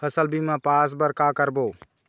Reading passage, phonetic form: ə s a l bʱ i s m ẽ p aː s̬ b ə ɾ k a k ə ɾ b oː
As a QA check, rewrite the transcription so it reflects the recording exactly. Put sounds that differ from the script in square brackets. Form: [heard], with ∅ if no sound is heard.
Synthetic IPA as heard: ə s [ə] l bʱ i [∅] m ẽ p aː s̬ b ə ɾ k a k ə ɾ b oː